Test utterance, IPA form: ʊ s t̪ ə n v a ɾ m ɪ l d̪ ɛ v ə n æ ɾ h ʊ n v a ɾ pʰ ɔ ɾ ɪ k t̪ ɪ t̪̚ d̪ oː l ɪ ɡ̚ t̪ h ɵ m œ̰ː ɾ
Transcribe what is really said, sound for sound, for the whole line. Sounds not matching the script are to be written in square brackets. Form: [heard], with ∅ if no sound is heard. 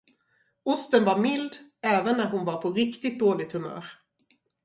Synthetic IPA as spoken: ʊ s t̪ ə n v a ɾ m ɪ l d̪ [ɛː] v ə [nː] æ ɾ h ʊ n v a ɾ pʰ ɔ ɾ ɪ k t̪ ɪ t̪̚ d̪ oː l ɪ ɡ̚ t̪ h ɵ m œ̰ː ɾ

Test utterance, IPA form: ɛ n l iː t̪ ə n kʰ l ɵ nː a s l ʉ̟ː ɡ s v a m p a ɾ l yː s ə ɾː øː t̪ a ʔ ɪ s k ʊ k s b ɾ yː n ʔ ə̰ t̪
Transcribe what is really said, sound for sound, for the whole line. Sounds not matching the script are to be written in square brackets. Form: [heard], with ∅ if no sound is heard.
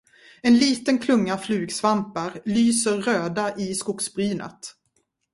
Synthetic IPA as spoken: ɛ n l iː t̪ ə n kʰ l ɵ [ŋː] a [f] l ʉ̟ː ɡ s v a m p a ɾ l yː s ə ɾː øː [d̪] a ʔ ɪ s k ʊ k s b ɾ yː n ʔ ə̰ t̪

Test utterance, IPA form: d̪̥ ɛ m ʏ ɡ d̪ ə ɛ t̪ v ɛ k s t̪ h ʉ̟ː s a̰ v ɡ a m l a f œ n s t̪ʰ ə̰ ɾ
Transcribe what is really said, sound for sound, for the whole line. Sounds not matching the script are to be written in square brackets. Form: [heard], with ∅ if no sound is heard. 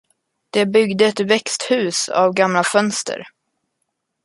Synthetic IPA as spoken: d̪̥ ɛ [b] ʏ ɡ d̪ ə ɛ t̪ v ɛ k s t̪ h ʉ̟ː s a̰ v ɡ a m l a f œ n s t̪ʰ ə̰ ɾ

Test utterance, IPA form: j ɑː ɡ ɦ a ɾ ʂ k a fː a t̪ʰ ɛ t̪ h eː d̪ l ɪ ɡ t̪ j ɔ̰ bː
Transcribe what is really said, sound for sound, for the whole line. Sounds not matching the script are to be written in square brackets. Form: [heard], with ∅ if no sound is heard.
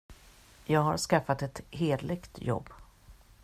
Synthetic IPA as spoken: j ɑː ɡ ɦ a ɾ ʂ k a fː a [t̪] ɛ t̪ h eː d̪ l ɪ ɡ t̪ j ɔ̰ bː

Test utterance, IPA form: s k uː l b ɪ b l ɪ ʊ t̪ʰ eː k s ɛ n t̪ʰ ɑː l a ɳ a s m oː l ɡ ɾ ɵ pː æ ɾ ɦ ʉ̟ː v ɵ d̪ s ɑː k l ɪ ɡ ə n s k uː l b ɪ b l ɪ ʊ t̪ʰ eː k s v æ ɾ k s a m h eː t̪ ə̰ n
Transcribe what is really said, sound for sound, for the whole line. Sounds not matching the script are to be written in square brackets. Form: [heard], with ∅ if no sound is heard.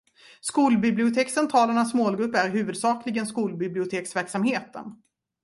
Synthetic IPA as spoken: s k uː l b ɪ b l ɪ ʊ t̪ʰ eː k s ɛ n t̪ʰ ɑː l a ɳ a s m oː l ɡ ɾ ɵ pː æ ɾ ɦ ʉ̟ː v ɵ d̪ s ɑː k l ɪ ɡ ə n s k uː l b ɪ b l ɪ ʊ t̪ʰ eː k s v æ ɾ k s a m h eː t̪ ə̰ n

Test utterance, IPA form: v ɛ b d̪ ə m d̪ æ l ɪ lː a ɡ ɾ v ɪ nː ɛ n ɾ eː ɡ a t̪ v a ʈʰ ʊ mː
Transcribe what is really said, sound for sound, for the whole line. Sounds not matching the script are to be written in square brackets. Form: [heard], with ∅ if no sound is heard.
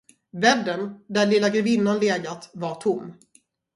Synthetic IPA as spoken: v ɛ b d̪ ə [n] d̪ æ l ɪ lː a ɡ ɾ v ɪ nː [a] n [l] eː ɡ a t̪ v a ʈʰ ʊ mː

